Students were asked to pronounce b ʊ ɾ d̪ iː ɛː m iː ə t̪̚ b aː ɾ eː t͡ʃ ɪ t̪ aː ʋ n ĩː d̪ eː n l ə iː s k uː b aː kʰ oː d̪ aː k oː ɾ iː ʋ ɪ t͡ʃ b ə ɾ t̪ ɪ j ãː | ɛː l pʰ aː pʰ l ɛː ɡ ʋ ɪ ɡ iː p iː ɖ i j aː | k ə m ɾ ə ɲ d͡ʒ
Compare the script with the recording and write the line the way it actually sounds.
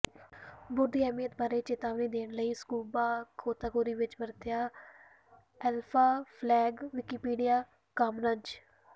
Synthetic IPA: b ʊ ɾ d̪ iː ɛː m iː ə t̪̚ b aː ɾ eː t͡ʃ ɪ t̪ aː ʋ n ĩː d̪ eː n l ə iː s k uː b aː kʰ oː t̪ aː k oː ɾ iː ʋ ɪ t͡ʃ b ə ɾ t̪ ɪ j aː | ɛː l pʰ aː pʰ l ɛː ɡ ʋ ɪ k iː p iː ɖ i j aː | k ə m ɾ ə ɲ d͡ʒ